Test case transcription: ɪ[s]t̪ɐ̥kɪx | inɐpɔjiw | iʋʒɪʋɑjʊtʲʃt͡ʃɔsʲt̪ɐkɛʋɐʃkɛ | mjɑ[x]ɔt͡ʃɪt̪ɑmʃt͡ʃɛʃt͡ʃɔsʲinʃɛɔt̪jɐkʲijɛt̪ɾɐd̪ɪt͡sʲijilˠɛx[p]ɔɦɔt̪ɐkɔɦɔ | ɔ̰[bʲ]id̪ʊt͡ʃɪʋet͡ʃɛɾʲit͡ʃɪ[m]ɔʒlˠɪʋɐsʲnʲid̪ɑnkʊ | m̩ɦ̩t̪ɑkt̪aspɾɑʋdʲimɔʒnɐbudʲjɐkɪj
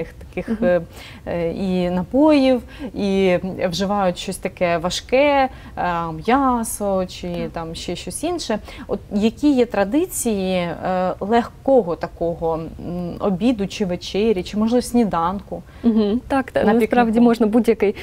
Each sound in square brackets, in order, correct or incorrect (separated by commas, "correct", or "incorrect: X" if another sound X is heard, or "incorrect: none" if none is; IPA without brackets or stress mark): incorrect: x, incorrect: s, incorrect: k, correct, correct